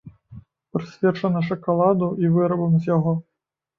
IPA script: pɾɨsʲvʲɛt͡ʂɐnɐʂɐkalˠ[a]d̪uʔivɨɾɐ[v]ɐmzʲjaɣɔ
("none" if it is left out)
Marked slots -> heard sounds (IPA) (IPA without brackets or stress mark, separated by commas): a, b